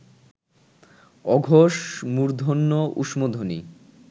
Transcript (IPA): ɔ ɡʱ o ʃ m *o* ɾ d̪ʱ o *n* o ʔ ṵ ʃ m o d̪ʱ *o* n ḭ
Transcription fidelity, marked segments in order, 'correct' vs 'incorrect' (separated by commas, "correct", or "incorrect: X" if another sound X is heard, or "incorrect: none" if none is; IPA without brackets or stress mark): incorrect: u, incorrect: nː, correct